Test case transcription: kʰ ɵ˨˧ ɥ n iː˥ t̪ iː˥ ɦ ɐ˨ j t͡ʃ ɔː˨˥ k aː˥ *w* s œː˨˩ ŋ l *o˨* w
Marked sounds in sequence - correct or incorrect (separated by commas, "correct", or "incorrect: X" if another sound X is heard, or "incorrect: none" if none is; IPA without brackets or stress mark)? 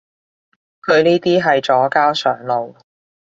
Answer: correct, correct